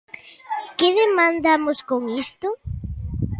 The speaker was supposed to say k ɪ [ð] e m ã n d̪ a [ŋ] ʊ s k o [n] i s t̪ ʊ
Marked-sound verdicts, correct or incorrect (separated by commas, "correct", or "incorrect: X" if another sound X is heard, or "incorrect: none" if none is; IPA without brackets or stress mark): correct, incorrect: m, incorrect: ŋ